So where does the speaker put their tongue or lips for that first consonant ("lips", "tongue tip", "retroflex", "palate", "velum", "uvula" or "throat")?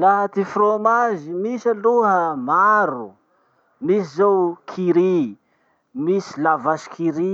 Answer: tongue tip